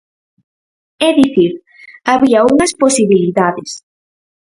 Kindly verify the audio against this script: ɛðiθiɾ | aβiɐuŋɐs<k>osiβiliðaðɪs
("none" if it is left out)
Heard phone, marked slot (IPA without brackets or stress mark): p